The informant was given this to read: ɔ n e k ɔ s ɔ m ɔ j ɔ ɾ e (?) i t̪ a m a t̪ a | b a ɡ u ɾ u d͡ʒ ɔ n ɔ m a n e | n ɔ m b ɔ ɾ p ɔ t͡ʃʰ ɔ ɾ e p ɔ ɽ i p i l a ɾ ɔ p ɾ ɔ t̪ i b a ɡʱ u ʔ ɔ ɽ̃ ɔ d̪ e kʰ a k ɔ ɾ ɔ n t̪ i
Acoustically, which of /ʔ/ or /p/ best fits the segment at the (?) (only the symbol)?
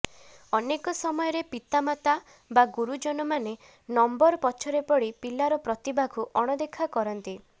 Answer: p